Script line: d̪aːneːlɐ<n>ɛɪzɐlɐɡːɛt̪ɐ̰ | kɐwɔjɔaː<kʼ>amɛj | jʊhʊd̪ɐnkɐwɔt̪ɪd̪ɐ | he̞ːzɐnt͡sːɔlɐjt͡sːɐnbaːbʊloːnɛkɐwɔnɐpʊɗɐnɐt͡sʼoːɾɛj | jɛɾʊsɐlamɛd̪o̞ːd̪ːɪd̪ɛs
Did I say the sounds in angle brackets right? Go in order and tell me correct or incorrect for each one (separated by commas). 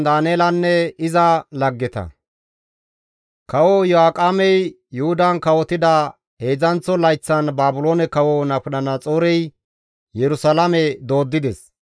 incorrect, correct